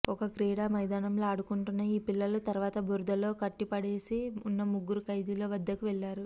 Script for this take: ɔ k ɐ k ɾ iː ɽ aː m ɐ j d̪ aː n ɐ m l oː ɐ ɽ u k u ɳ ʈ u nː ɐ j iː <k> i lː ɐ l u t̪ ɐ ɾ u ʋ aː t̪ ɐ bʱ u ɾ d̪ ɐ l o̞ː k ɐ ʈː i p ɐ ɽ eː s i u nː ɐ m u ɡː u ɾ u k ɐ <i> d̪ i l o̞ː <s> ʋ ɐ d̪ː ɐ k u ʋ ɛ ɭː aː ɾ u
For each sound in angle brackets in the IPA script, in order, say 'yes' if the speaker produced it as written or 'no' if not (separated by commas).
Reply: no, no, no